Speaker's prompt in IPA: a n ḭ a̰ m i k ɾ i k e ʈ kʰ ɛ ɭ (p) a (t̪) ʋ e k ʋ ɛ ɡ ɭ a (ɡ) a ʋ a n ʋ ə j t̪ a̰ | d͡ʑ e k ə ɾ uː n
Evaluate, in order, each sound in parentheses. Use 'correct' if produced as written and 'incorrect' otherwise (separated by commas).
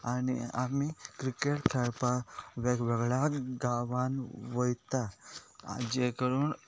correct, incorrect, correct